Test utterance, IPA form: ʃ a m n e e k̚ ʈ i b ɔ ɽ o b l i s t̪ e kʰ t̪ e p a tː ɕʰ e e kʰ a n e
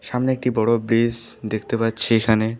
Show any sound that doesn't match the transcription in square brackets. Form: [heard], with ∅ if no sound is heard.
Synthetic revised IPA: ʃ a m n e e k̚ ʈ i b ɔ ɽ o b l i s [d̪] e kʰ t̪ e p a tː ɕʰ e e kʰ a n e

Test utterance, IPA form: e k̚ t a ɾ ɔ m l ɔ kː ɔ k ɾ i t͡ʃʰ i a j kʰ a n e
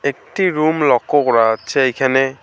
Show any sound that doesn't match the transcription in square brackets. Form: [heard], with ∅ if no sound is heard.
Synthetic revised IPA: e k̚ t [i] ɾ [u] m l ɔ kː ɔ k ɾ [a] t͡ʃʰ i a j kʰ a n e

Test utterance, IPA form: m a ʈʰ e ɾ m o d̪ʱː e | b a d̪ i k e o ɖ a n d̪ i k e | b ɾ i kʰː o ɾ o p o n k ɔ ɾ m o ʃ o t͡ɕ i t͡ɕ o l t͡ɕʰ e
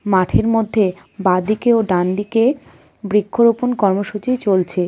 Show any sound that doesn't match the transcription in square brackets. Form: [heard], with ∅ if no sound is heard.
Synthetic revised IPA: m a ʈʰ e ɾ m o d̪ʱː e | b a d̪ i k e o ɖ a n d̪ i k e | b ɾ i kʰː o ɾ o p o n k ɔ ɾ m o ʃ [u] t͡ɕ i t͡ɕ o l t͡ɕʰ e

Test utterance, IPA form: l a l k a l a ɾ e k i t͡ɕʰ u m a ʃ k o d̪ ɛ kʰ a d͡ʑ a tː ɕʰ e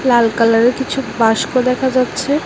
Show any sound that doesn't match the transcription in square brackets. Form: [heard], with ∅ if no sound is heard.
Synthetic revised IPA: l a l k a l a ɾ e k i t͡ɕʰ u [b] a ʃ k o d̪ ɛ kʰ a d͡ʑ a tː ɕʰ e

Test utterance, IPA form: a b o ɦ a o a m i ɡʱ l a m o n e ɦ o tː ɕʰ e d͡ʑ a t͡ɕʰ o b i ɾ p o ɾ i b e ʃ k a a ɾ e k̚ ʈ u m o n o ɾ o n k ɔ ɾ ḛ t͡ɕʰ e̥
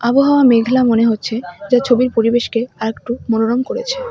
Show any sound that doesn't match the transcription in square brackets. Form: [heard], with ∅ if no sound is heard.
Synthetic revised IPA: a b o ɦ a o a m [e] ɡʱ l a m o n e ɦ o tː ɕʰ e d͡ʑ a t͡ɕʰ o b i ɾ p o ɾ i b e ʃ k [e] a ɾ e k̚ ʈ u m o n o ɾ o [m] k [o] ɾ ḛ t͡ɕʰ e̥

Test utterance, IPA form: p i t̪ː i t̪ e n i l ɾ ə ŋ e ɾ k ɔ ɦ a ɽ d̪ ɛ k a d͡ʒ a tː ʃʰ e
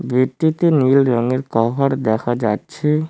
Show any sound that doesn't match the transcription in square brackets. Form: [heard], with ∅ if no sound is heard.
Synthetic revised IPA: [b] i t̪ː i t̪ e n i l ɾ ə ŋ e ɾ k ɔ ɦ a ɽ d̪ ɛ [kʰ] a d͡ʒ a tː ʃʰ e

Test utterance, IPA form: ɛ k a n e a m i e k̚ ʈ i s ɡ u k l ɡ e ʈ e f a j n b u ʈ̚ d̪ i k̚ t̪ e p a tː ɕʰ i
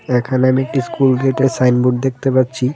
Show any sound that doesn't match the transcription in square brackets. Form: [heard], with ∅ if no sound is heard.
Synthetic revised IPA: ɛ [kʰ] a n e a m i e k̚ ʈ i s [k] u [∅] l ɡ e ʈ e [s] a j n b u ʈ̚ d̪ [e] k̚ t̪ e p a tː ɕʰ i

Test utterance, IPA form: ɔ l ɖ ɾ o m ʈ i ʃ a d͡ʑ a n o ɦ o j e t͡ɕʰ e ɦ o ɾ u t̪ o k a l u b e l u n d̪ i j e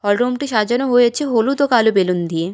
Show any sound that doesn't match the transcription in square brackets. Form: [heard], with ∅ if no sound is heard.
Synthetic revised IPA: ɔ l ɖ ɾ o m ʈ i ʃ a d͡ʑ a n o ɦ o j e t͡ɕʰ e ɦ o [l] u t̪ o k a l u b e l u n d̪ i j e

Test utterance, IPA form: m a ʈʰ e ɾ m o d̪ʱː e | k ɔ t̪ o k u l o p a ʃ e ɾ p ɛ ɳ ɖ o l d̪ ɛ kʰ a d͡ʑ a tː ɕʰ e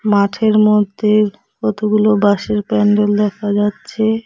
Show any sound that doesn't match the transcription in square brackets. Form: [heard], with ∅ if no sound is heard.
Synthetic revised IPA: m a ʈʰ e ɾ m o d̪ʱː e | k ɔ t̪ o [ɡ] u l o [b] a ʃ e ɾ p ɛ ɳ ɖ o l d̪ ɛ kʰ a d͡ʑ a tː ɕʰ e

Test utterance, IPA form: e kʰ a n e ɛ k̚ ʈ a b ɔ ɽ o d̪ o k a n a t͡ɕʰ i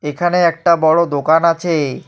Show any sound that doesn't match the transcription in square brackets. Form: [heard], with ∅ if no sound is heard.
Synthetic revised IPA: e kʰ a n e ɛ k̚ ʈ a b ɔ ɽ o d̪ o k a n a t͡ɕʰ [e]

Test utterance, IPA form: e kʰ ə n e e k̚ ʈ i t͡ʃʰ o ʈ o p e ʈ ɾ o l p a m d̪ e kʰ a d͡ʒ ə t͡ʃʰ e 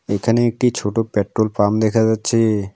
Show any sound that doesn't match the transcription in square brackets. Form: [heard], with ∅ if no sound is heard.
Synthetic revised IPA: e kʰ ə n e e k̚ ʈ i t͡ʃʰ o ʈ o p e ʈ ɾ o l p a m d̪ e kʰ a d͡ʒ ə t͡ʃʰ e

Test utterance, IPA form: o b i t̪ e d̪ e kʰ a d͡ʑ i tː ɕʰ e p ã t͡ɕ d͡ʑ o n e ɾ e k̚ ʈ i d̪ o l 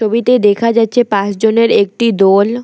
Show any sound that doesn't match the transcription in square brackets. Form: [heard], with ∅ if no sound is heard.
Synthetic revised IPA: o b i t̪ e d̪ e kʰ a d͡ʑ [a] tː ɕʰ e p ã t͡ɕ d͡ʑ o n e ɾ e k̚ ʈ i d̪ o l

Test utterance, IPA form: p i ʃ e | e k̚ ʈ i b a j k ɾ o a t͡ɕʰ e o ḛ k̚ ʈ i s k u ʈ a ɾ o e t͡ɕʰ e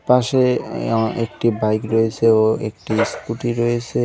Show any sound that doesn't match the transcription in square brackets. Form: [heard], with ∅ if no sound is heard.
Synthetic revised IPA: p [a] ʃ e | e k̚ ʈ i b a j k ɾ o [e] t͡ɕʰ e o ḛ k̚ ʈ i s k u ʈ [i] ɾ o e t͡ɕʰ e

